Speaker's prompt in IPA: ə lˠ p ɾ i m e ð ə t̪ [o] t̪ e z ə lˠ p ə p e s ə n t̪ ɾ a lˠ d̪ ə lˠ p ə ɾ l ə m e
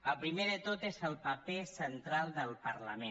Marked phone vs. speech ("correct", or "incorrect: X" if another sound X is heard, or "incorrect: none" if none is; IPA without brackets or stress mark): correct